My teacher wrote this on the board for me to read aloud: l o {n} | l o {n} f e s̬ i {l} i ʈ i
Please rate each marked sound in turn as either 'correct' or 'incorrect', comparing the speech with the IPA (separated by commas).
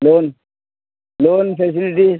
correct, correct, correct